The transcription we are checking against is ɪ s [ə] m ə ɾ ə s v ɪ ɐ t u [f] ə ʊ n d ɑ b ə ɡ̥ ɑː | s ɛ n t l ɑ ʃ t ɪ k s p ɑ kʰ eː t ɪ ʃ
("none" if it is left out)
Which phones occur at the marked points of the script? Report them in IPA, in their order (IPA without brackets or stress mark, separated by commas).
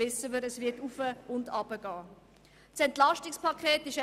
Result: ə, f